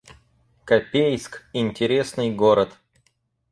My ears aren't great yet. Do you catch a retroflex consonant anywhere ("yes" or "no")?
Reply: no